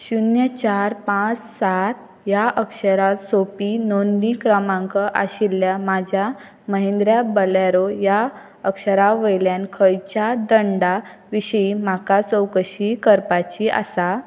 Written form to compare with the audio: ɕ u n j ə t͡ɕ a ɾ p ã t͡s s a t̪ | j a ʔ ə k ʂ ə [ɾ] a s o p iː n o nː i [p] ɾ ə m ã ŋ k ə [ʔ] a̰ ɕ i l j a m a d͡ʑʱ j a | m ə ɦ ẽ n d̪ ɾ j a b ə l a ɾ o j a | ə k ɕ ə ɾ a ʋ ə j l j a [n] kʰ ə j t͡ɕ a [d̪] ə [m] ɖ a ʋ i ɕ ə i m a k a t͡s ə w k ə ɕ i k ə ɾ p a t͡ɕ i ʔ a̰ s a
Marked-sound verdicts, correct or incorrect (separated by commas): correct, incorrect, correct, correct, correct, incorrect